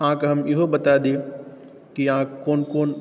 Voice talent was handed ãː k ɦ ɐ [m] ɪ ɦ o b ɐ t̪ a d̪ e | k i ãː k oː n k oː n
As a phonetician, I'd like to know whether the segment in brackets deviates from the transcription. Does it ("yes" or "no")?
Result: no